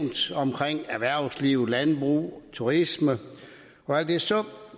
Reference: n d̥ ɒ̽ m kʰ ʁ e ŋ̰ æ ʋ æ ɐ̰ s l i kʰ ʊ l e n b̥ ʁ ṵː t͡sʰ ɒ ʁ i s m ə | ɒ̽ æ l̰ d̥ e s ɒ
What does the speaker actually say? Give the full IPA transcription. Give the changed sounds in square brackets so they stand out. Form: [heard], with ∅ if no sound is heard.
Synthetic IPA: n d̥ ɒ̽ m kʰ ʁ e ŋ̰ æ ʋ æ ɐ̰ s l i [∅] ʊ l [æ] n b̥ ʁ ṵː t͡sʰ [u] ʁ i s m ə | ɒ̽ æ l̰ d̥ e s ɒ